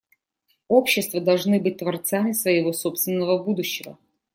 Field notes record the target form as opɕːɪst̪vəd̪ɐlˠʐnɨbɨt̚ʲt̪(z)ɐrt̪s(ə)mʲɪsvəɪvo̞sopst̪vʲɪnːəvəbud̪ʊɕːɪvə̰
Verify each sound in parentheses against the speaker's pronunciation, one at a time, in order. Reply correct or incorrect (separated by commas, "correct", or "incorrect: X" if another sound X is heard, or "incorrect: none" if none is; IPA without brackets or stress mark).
incorrect: v, incorrect: a